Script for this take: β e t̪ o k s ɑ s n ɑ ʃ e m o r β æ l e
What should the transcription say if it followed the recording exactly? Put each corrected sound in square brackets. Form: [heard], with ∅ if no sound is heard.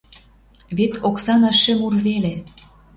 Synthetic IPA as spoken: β e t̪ o k s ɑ [∅] n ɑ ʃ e m [u] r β [e] l e